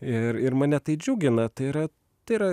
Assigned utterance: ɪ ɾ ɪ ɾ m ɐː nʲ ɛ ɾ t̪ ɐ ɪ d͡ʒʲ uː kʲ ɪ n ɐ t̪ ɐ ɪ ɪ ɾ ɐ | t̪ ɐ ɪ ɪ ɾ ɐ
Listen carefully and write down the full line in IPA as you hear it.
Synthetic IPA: ɪ ɾ ɪ ɾ m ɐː nʲ ɛ t̪ ɐ ɪ d͡ʒʲ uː ɡʲ ɪ n ɐ t̪ ɐ ɪ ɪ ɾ ɐ | t̪ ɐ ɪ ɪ ɾ ɐ